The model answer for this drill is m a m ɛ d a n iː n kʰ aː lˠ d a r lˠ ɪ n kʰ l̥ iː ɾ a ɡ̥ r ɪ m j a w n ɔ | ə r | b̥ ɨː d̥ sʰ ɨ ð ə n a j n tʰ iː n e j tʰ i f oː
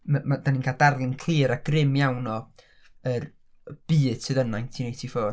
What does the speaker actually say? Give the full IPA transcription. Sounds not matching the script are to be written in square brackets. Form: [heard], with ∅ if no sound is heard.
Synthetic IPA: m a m [a] d a n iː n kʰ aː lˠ d a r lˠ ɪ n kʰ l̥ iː ɾ a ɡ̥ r ɪ m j a w n ɔ | ə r | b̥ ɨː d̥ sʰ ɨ ð ə n a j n tʰ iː n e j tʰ i f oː